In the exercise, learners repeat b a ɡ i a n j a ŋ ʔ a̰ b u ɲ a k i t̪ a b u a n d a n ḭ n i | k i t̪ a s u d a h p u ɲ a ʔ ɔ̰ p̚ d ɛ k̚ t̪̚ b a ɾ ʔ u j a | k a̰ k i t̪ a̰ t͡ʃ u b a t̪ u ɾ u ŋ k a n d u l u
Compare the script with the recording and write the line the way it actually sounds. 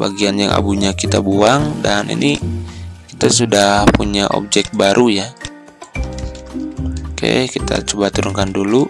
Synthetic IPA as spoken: b a ɡ i a n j a ŋ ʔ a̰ b u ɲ a k i t̪ a b u a ŋ d a n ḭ n i | k i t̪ a s u d a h p u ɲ a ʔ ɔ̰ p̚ d͡ʒ ɛ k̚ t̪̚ b a ɾ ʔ u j a | k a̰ k i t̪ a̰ t͡ʃ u b a t̪ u ɾ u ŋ k a n d u l u